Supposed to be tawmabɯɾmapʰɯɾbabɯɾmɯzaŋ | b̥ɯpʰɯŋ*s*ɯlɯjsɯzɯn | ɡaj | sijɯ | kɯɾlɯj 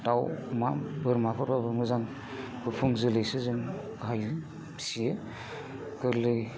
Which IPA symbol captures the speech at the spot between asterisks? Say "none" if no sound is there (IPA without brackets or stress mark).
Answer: z